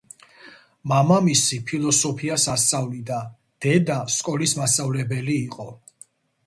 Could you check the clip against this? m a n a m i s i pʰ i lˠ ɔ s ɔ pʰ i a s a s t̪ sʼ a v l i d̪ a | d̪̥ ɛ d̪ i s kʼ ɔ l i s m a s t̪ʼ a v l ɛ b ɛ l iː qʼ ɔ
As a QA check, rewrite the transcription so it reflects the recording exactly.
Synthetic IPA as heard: m a m a m i s i pʰ i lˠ ɔ s ɔ pʰ i a s a s t̪ sʼ a v l i d̪ a | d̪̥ ɛ d̪ a s kʼ ɔ l i s m a s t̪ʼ a v l ɛ b ɛ l iː qʼ ɔ